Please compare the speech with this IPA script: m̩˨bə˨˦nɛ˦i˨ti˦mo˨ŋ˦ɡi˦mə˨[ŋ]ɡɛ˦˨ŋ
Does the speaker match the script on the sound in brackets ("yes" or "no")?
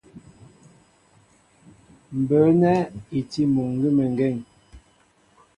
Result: yes